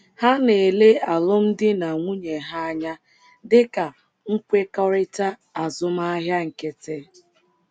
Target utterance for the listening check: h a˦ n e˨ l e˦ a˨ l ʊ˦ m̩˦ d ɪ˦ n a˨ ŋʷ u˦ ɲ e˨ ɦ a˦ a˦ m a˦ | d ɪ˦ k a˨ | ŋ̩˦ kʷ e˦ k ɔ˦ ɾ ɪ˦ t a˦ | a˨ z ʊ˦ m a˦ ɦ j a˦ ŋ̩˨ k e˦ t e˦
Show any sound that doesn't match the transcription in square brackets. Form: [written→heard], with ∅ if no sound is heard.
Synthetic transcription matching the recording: h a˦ n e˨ l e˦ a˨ l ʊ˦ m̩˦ d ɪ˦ n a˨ ŋʷ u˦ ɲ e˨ ɦ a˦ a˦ [m→ɲ] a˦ | d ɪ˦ k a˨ | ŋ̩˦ kʷ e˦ k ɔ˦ ɾ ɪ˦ t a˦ | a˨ z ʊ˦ m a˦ ɦ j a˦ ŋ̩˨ k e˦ t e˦